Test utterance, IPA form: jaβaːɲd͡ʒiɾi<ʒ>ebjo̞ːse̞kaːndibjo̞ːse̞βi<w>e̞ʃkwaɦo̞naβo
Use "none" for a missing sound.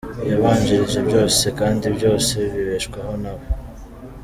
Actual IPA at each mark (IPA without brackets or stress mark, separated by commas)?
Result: ʒ, β